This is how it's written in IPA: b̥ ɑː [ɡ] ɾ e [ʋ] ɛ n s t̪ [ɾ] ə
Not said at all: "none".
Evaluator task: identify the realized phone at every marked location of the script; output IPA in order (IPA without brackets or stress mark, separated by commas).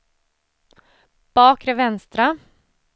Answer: k, ʋ, ɾ